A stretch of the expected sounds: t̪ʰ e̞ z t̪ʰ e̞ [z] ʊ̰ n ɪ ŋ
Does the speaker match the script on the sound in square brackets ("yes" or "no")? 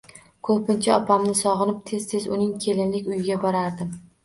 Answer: yes